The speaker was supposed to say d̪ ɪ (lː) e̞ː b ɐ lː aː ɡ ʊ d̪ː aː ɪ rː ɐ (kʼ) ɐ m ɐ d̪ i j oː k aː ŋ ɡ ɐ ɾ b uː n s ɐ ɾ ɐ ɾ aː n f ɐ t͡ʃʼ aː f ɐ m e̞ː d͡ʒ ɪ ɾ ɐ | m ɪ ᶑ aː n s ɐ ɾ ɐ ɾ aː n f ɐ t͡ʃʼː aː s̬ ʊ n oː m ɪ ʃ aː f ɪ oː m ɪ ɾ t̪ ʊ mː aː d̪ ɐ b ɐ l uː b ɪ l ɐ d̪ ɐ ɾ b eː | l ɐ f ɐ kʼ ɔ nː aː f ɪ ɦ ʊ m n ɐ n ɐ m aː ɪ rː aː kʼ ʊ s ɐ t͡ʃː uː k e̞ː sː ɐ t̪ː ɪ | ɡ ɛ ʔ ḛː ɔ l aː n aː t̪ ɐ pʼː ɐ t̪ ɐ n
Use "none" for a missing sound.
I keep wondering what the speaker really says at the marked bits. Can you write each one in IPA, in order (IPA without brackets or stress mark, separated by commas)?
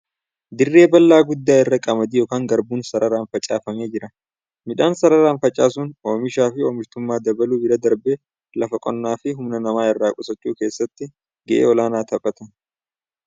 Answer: rː, kʼ